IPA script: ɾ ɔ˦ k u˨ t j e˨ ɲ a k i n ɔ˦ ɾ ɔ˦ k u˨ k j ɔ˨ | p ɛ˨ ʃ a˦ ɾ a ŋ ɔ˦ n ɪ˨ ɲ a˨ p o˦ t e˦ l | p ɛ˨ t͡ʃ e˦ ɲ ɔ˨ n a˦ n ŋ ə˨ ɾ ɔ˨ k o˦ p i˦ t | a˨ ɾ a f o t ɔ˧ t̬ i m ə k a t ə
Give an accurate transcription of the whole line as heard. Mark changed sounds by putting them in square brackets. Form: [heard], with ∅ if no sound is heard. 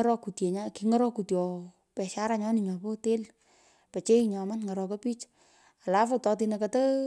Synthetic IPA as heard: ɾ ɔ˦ k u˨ t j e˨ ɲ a k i [ŋ] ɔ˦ ɾ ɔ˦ k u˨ [t] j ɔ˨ | p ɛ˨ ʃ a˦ ɾ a [ɲ] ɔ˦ n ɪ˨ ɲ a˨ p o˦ t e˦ l | p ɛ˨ t͡ʃ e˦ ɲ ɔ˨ [m] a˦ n ŋ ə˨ ɾ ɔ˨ k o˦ p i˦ [t͡ʃ] | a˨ [l] a f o t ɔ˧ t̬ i [n] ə k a t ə